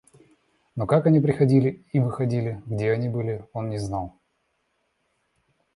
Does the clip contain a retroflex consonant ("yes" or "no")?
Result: no